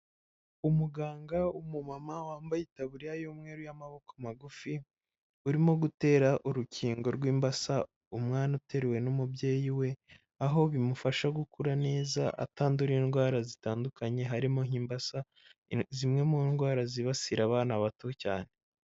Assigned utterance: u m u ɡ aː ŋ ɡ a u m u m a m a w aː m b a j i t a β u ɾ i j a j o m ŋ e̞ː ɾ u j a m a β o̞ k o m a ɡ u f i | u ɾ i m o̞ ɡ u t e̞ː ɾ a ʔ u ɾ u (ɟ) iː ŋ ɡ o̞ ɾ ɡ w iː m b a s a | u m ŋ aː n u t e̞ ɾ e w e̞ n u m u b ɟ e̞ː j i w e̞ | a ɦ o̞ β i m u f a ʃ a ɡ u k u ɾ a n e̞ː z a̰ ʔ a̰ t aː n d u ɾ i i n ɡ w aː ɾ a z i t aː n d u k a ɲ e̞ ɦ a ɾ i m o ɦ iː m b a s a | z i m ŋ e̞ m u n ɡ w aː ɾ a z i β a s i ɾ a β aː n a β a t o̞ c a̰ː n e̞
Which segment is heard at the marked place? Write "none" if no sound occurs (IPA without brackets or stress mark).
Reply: c